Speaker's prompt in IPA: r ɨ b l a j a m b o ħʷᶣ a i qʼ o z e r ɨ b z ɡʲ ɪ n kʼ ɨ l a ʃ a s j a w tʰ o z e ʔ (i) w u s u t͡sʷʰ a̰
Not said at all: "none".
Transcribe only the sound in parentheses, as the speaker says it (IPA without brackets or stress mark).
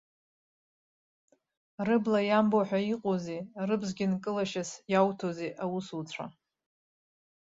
a